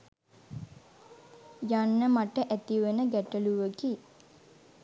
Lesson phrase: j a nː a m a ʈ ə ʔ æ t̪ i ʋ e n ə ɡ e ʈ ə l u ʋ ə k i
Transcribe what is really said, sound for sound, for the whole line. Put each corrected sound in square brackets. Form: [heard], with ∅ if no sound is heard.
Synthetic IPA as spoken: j a nː [ə] m a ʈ ə ʔ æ t̪ i ʋ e n ə ɡ [æ] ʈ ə l u ʋ ə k i

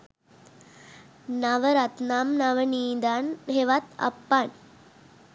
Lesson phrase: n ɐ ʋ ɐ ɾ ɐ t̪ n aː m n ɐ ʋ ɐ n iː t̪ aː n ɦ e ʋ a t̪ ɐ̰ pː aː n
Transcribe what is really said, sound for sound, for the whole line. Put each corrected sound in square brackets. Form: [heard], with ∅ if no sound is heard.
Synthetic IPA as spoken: n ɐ ʋ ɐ ɾ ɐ t̪ n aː m n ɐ ʋ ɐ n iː [d̪] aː n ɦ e ʋ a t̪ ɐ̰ pː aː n

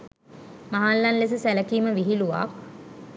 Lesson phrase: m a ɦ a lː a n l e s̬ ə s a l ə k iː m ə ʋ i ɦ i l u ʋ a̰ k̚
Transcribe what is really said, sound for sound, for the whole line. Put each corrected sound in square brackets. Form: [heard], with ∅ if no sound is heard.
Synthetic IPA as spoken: m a ɦ a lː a n l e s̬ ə s [æ] l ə k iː m ə ʋ i ɦ i l u ʋ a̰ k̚

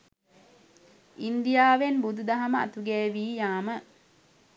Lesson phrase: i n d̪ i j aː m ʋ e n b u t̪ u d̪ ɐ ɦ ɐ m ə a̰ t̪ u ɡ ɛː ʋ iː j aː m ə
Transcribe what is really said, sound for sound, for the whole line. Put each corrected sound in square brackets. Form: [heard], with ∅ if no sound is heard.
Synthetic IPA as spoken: i n d̪ i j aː [∅] ʋ e n b u [d̪] u d̪ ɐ ɦ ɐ m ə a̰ t̪ u ɡ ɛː ʋ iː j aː m ə

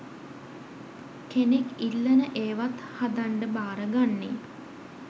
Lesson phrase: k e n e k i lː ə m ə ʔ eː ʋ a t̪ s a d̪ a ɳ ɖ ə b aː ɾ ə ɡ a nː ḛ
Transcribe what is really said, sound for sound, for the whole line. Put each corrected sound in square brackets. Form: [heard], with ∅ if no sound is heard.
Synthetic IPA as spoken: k e n e k i lː ə [n] ə ʔ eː ʋ a t̪ [h] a d̪ a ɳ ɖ ə b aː ɾ ə ɡ a nː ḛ

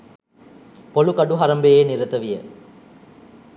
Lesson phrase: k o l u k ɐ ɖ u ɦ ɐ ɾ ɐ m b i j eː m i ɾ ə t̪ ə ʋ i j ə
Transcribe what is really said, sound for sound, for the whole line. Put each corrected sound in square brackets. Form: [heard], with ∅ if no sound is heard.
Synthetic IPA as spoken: [p] o l u k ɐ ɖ u ɦ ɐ ɾ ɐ m b [e] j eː [n] i ɾ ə t̪ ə ʋ i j ə

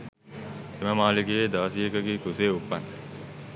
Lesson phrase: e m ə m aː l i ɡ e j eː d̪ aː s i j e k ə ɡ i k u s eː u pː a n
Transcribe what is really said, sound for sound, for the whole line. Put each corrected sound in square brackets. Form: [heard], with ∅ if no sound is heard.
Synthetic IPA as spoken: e m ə m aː l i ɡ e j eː d̪ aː s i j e k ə ɡ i k u s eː u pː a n

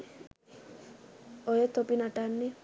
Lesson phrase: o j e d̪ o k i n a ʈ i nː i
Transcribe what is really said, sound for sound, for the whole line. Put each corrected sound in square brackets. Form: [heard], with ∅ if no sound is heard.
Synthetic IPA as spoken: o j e [t̪] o [p] i n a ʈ [a] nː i

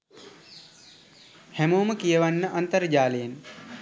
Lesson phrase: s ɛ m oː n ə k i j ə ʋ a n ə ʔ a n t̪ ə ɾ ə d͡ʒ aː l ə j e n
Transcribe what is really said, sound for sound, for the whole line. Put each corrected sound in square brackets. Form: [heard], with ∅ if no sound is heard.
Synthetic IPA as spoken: [h] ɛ m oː [m] ə k i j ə ʋ a [nː] ə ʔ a n t̪ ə ɾ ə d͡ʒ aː l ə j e n

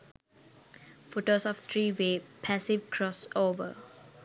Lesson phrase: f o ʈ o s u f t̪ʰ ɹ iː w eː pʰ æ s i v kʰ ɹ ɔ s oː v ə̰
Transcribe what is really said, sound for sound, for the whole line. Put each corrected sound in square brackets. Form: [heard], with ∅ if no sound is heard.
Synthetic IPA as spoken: f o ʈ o s [ɔ] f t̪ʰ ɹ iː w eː pʰ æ s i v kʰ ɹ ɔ s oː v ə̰

